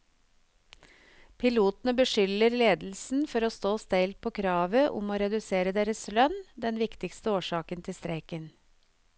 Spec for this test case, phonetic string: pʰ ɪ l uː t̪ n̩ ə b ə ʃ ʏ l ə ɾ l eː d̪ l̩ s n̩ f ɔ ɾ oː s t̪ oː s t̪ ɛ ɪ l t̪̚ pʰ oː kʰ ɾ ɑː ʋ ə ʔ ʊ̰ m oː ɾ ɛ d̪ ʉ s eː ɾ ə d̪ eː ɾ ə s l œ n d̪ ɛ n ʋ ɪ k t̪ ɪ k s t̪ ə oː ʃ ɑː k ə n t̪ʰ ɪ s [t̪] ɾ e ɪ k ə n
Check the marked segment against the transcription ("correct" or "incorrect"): correct